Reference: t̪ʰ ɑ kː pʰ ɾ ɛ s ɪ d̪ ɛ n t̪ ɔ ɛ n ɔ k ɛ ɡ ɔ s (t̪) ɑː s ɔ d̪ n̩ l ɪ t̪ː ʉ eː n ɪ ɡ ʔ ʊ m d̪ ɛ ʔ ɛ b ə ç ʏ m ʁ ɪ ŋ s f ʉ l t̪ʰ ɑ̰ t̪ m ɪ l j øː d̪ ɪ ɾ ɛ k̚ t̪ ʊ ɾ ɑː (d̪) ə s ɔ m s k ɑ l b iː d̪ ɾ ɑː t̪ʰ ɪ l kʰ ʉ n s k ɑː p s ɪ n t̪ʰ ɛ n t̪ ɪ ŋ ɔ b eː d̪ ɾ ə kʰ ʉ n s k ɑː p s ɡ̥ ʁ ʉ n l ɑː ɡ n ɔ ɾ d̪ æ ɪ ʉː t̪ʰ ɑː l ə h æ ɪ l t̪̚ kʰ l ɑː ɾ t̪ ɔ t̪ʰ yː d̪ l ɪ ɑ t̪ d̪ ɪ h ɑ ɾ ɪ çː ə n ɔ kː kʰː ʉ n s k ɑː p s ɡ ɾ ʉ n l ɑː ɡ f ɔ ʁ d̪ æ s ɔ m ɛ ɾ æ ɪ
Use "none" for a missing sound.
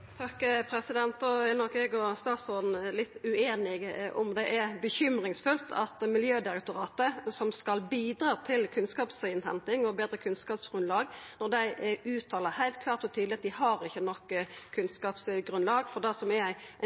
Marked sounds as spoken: t̪, t̪

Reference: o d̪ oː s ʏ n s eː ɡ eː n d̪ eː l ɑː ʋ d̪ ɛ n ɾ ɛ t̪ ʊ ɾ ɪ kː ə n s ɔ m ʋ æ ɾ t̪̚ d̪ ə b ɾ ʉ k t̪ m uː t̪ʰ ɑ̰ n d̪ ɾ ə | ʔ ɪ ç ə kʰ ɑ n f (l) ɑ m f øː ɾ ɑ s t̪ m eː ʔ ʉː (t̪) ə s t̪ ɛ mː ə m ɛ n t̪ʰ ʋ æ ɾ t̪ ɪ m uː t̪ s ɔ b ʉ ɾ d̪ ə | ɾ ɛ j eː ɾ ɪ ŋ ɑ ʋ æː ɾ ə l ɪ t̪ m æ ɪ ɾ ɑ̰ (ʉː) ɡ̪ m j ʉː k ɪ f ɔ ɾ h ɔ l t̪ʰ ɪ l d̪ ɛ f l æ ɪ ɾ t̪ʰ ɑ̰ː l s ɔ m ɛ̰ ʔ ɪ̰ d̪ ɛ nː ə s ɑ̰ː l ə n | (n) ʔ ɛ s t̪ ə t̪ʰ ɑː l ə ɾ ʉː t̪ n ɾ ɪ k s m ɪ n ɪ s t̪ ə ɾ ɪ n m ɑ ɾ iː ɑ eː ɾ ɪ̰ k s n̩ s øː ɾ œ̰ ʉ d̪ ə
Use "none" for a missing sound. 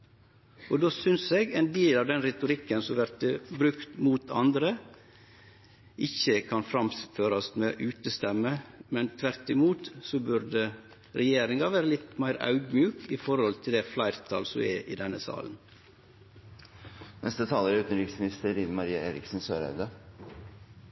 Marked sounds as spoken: ɾ, t̪, ʉ, n

